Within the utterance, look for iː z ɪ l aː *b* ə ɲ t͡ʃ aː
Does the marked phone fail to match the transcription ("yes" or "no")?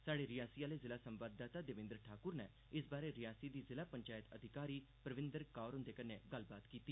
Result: yes